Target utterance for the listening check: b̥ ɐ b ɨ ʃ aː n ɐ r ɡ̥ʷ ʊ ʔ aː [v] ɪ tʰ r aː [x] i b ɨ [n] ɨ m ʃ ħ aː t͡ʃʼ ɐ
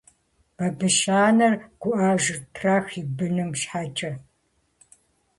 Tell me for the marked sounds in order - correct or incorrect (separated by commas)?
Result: incorrect, correct, correct